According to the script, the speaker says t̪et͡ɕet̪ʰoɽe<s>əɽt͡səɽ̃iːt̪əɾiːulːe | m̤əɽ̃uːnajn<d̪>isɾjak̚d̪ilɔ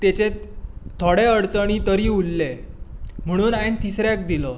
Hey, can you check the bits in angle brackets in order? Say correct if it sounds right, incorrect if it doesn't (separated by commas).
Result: incorrect, incorrect